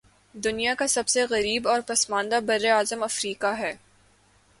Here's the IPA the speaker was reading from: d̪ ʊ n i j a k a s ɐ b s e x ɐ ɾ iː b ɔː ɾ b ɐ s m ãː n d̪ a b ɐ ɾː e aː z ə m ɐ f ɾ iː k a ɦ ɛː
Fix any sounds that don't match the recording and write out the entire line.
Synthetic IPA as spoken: d̪ ʊ n i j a k a s ɐ b s e ɣ ɐ ɾ iː b ɔː ɾ p ɐ s m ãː n d̪ a b ɐ ɾː e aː z ə m ɐ f ɾ iː k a ɦ ɛː